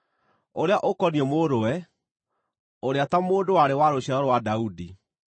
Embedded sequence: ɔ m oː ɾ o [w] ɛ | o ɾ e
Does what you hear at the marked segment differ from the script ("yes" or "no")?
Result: no